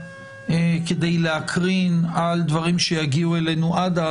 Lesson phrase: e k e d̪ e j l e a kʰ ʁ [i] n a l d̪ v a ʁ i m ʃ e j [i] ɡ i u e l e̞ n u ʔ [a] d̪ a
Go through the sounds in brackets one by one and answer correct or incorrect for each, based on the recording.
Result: correct, incorrect, correct

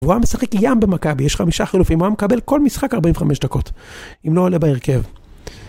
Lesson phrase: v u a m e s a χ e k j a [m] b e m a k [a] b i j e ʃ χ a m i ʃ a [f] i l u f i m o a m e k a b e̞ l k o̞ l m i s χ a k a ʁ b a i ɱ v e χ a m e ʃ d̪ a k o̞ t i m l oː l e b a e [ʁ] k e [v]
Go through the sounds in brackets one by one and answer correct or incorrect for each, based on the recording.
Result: correct, correct, incorrect, correct, correct

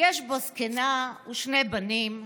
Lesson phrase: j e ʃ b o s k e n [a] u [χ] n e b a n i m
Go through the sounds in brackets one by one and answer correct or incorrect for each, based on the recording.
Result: correct, incorrect

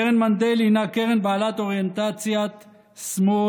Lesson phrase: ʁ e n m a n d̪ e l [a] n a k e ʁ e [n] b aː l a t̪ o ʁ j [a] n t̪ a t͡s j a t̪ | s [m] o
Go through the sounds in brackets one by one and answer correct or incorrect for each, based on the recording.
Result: incorrect, correct, incorrect, correct

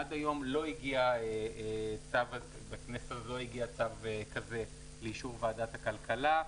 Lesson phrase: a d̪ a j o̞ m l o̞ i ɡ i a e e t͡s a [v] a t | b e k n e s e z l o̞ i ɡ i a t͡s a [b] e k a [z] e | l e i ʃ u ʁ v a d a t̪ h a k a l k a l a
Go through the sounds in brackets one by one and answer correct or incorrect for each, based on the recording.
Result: correct, incorrect, correct

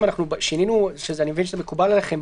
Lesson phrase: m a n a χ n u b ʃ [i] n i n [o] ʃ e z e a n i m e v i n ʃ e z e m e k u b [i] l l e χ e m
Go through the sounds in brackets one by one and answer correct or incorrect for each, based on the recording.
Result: correct, incorrect, incorrect

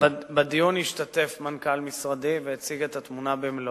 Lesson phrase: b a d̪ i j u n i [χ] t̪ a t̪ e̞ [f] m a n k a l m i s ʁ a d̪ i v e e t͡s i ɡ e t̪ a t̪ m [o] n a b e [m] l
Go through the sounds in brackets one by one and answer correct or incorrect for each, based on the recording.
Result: incorrect, correct, incorrect, correct

